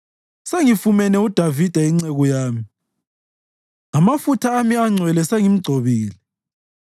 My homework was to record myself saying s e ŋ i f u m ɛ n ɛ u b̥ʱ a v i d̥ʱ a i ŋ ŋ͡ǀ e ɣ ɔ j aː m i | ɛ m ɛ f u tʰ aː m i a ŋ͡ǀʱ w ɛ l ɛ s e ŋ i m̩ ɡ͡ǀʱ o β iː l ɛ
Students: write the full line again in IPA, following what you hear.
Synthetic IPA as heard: s e ŋ i f u m ɛ n ɛ u d̥ʱ a v i d̥ʱ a i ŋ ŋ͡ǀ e ɣ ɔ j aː m i | a m a f u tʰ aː m i a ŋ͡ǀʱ w ɛ l ɛ s e ŋ i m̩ ɡ͡ǀʱ o β iː l ɛ